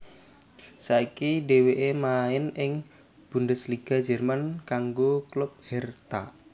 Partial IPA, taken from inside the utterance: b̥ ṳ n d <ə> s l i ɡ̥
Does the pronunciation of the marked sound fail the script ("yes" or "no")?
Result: no